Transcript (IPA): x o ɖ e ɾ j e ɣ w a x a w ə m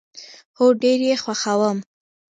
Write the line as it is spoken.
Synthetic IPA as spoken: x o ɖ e ɾ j e x w a x a w ə m